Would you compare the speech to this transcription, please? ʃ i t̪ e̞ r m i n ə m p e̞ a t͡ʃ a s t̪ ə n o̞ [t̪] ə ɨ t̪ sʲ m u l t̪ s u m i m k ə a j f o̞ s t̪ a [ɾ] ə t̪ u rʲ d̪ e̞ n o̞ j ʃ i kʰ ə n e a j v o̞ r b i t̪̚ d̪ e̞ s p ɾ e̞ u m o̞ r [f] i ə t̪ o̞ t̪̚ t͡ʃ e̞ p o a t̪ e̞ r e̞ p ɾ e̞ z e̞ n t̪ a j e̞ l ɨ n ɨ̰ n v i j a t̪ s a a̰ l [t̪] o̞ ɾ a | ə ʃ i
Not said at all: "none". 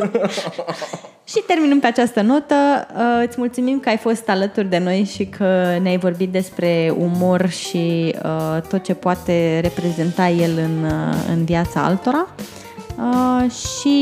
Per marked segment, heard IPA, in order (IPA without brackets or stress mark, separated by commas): t̪, l, ʃ, t̪